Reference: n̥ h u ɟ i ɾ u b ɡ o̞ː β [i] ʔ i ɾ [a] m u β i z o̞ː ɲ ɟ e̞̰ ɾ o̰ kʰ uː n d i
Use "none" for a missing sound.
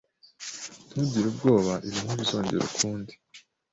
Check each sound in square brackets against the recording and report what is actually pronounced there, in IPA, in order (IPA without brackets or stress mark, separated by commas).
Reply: a, i